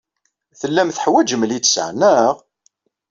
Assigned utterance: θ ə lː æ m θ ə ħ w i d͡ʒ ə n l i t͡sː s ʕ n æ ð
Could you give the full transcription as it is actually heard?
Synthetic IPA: θ ə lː æ m θ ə ħ w æ d͡ʒ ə m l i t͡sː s ʕ n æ ʁ